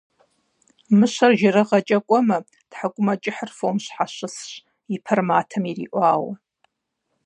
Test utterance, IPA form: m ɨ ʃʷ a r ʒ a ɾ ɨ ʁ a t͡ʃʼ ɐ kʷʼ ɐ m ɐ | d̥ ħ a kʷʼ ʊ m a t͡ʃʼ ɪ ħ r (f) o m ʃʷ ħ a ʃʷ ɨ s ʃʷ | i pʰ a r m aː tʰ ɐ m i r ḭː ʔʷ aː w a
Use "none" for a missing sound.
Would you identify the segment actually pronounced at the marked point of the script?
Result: f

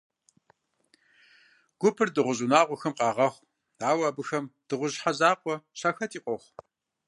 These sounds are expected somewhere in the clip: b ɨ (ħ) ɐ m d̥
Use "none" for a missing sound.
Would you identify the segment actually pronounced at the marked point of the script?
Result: x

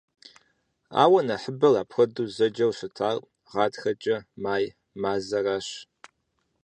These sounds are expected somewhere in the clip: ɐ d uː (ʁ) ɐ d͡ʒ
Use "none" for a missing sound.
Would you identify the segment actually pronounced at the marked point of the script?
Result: z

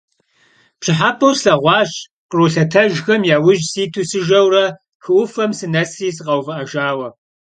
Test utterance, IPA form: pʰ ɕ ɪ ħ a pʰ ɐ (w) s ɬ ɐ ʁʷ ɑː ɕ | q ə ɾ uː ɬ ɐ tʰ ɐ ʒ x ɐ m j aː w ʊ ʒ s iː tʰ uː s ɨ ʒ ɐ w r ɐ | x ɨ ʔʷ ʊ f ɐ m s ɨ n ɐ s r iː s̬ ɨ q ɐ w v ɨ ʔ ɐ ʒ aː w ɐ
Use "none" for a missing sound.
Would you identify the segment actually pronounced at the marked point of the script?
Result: w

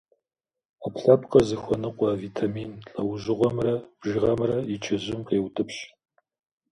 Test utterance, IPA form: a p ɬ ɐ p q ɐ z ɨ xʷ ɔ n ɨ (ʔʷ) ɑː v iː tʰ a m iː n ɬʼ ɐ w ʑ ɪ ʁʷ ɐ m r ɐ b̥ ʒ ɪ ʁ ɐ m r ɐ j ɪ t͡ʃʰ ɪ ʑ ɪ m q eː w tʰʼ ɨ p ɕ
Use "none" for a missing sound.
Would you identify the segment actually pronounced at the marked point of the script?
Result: qʷ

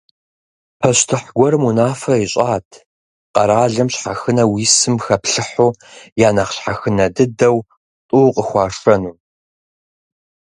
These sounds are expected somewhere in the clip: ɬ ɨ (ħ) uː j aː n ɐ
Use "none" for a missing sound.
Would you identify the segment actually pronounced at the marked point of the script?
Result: ħ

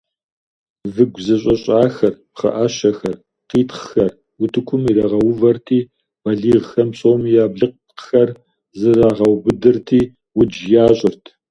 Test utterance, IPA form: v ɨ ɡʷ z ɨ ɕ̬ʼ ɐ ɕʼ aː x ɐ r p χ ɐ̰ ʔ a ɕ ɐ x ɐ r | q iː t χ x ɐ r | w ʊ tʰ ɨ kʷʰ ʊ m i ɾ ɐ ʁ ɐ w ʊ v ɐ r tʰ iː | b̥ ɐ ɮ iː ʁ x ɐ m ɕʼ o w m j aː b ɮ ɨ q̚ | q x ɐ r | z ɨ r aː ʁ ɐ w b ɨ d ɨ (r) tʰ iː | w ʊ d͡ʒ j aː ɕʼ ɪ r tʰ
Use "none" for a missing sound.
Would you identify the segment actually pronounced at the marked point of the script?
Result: r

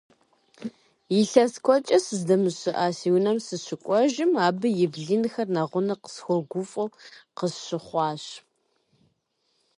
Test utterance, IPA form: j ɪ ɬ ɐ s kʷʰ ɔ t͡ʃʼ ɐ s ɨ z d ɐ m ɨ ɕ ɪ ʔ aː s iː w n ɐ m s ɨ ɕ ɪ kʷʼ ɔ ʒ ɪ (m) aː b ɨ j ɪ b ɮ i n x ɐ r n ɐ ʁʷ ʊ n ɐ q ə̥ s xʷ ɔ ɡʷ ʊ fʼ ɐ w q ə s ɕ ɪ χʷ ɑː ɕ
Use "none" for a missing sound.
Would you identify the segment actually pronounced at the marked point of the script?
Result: m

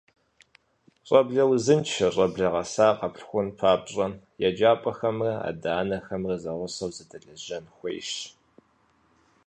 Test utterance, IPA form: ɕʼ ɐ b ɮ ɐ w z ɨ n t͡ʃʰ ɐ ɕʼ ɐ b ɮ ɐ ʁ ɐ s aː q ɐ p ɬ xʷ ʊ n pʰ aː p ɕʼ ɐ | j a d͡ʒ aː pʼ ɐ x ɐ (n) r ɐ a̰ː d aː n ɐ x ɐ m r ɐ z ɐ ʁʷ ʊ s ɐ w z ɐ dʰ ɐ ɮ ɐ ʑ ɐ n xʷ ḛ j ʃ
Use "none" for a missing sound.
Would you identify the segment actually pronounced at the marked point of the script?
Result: m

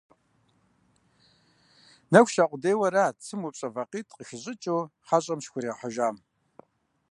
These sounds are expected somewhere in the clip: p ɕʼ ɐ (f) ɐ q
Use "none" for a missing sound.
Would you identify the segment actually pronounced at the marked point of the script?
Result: v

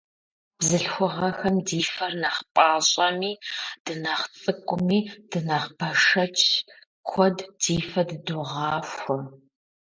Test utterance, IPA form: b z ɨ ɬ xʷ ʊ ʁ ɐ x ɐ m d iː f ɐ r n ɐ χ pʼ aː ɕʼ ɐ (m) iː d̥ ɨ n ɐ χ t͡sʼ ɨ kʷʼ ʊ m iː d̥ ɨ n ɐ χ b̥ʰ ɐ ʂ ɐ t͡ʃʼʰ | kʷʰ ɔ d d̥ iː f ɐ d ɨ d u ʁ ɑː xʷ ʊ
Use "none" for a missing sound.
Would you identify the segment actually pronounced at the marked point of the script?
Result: m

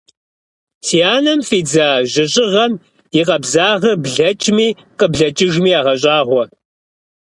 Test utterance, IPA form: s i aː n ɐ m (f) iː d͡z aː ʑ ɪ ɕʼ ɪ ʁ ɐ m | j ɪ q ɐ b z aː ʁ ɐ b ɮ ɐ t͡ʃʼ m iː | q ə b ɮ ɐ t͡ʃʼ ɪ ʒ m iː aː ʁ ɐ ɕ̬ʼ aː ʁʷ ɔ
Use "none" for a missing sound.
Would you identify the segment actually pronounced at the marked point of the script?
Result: f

